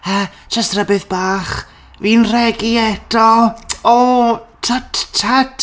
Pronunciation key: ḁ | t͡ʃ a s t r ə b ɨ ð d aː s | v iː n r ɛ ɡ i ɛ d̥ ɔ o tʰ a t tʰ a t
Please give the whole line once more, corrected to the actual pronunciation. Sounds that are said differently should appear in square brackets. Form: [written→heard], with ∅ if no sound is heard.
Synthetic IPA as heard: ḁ | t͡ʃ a s t r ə b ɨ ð [d→b] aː [s→χ] | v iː n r ɛ ɡ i ɛ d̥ ɔ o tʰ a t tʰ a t